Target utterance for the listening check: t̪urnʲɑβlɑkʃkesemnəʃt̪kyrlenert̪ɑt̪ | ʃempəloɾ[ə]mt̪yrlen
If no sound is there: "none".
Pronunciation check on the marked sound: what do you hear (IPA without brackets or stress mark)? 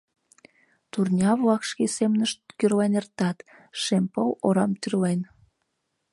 ɑ